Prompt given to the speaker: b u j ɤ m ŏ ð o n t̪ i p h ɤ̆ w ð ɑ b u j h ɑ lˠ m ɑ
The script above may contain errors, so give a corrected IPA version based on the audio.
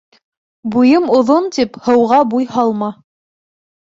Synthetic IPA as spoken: b u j ɤ m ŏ ð o n t̪ i p h ɤ̆ w ʁ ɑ b u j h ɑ lˠ m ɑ